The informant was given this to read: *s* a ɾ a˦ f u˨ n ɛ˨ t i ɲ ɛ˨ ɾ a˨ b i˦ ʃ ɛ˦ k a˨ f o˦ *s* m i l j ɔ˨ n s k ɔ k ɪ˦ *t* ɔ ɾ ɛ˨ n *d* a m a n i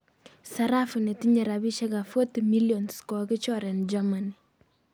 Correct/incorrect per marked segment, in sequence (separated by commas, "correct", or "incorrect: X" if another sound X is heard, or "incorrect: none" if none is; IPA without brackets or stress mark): correct, incorrect: t, incorrect: t͡ʃ, incorrect: d͡ʒ